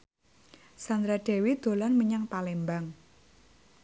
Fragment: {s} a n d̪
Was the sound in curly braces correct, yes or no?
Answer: yes